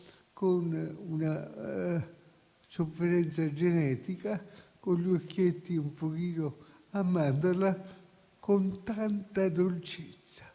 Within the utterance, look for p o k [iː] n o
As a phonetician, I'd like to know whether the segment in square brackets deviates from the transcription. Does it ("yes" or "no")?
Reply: no